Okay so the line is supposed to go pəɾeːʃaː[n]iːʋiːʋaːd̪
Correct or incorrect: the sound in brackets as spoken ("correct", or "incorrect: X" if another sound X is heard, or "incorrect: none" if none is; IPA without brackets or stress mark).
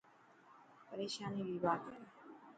correct